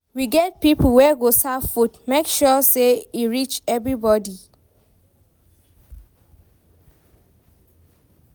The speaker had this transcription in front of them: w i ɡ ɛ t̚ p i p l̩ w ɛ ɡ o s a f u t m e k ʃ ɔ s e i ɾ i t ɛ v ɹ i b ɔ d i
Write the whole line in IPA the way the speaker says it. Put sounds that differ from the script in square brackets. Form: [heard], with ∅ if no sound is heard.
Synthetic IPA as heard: w i ɡ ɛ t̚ p i p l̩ w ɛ ɡ o s a f u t m e k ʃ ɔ s e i [ɹ] i [t͡ʃ] ɛ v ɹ i b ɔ d i